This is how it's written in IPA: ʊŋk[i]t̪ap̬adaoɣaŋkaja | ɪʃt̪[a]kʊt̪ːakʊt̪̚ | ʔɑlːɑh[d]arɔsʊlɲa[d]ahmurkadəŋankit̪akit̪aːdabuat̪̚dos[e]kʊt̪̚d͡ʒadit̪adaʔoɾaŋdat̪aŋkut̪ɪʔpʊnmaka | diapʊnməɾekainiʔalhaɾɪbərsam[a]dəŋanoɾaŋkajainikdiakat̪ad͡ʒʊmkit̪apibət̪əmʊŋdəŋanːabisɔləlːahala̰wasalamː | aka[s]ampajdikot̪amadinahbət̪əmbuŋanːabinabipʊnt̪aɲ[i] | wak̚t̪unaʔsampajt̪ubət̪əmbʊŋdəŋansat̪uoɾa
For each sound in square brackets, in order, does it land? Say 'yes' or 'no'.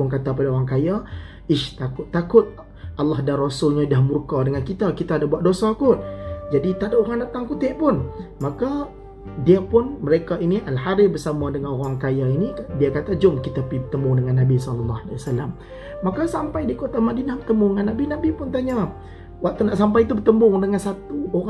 no, yes, yes, yes, no, yes, yes, no

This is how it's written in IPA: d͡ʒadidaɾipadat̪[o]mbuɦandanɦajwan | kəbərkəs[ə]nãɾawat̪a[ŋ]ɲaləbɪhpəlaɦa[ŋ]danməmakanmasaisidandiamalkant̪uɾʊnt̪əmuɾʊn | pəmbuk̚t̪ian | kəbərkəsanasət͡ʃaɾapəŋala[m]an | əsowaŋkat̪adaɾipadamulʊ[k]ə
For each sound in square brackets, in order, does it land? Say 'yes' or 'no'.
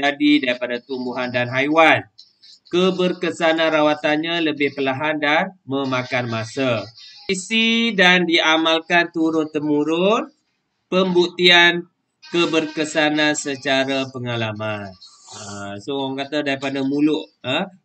no, no, no, no, yes, no

